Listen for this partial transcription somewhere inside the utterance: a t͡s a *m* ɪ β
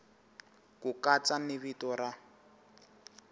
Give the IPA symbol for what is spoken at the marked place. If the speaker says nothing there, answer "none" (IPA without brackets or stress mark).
n